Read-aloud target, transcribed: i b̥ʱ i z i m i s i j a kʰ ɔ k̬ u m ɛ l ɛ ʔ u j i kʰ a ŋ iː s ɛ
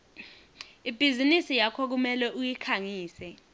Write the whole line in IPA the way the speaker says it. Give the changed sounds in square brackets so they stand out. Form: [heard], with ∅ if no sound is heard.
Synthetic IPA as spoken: i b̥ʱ i z i [n] i s i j a kʰ ɔ k̬ u m ɛ l ɛ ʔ u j i kʰ a ŋ iː s ɛ